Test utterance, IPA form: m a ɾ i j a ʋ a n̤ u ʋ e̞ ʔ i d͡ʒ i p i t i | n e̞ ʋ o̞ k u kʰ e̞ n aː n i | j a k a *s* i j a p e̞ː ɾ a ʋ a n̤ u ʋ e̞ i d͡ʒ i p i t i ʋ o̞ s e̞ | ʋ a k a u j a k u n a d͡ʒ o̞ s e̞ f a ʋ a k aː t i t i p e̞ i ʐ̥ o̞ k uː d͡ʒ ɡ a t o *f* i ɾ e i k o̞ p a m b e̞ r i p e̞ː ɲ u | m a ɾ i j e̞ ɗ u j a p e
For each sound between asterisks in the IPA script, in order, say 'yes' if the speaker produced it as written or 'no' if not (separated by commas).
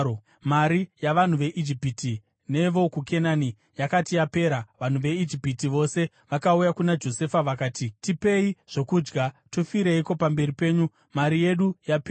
no, yes